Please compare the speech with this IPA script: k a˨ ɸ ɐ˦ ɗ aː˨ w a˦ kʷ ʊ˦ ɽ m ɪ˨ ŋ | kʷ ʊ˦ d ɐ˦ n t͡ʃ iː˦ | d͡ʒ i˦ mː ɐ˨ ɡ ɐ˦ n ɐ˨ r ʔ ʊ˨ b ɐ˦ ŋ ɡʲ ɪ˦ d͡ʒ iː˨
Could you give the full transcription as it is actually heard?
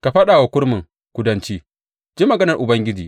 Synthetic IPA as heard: k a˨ ɸ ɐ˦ ɗ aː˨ w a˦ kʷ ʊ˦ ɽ m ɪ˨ ŋ | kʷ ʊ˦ d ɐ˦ n t͡ʃ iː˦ | d͡ʒ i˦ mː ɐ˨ ɡ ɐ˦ n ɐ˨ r ʔ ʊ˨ b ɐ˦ ŋ ɡʲ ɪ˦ d͡ʒ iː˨